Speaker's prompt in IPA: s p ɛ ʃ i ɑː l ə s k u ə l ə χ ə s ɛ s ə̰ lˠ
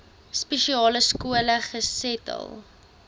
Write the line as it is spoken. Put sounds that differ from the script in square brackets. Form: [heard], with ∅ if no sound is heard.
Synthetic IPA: s p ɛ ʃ i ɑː l ə s k u ə l ə χ ə s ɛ [t] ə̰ lˠ